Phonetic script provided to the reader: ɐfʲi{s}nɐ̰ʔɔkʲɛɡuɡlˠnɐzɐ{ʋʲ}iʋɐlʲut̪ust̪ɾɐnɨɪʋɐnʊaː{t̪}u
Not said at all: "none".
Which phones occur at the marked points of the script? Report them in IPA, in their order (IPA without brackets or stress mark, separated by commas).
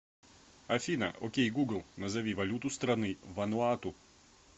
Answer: none, ʋʲ, t̪